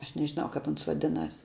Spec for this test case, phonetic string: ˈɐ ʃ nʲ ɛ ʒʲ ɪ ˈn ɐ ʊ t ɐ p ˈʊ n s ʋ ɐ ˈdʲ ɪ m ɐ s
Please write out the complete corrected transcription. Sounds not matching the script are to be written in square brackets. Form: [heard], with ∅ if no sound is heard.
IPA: ˈɐ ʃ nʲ ɛ ʒʲ ɪ ˈn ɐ ʊ [k] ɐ p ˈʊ n s ʋ ɐ ˈdʲ ɪ [n] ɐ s